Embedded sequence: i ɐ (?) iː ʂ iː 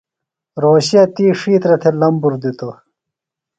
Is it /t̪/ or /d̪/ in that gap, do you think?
t̪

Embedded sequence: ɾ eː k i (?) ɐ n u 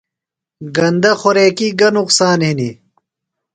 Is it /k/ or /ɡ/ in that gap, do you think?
ɡ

